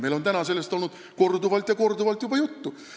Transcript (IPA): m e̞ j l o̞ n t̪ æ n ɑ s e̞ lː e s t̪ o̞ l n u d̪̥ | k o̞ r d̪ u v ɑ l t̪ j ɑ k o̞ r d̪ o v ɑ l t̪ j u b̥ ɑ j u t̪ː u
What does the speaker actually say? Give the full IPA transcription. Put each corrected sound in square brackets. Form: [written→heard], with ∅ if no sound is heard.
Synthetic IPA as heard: m e̞ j l o̞ n t̪ æ n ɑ s e̞ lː e s t̪ o̞ l n u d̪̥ | k o̞ r d̪ u v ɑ l t̪ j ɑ k o̞ r d̪ [o→u] v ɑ l t̪ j u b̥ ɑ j u t̪ː u